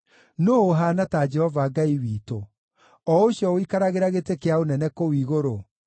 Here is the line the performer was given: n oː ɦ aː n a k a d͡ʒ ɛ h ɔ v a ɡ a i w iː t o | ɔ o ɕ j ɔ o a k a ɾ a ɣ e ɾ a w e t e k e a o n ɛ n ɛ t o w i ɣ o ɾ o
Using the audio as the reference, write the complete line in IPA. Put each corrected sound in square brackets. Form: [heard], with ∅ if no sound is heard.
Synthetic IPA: n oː ɦ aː n a [t] a d͡ʒ ɛ h ɔ v a ɡ a i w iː t o | ɔ o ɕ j ɔ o [i] k a ɾ a ɣ e ɾ a [ɣ] e t e k e a o n ɛ n ɛ [k] o w i ɣ o ɾ o